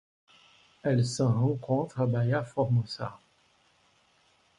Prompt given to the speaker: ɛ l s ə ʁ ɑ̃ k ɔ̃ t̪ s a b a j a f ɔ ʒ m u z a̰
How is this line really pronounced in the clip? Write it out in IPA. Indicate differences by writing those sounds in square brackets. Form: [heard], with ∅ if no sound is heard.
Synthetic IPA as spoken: ɛ l s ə ʁ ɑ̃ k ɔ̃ t̪ [χ] a b a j a f ɔ [ʁ] m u [s] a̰